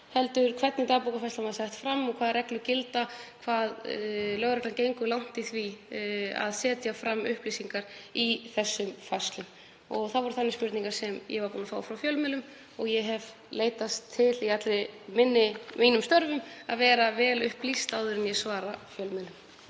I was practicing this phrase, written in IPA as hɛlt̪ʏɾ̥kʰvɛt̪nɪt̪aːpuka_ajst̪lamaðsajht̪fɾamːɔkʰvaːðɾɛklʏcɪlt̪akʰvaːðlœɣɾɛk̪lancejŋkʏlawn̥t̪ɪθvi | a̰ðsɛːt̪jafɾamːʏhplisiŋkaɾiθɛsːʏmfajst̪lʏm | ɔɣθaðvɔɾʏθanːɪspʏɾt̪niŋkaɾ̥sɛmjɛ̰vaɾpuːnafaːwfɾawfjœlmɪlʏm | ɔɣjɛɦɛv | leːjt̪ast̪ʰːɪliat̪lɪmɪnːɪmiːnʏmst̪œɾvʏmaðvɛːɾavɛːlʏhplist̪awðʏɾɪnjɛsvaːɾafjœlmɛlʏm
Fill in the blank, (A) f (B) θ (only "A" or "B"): A